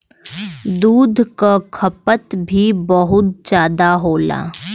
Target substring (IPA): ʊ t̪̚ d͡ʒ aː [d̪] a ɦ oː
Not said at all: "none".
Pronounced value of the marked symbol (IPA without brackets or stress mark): d̪